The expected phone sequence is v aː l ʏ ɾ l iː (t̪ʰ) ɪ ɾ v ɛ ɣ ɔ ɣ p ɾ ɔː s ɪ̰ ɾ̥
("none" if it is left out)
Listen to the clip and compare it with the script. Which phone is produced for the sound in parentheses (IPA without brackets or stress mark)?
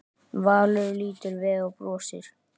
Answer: t̪